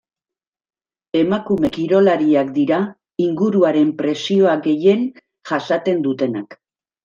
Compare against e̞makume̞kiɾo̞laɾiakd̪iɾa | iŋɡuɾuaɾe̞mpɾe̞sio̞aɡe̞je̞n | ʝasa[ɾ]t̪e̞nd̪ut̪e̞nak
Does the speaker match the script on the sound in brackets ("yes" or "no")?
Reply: no